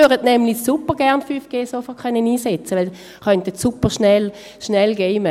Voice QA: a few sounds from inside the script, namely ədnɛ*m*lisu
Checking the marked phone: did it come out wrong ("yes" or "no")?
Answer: no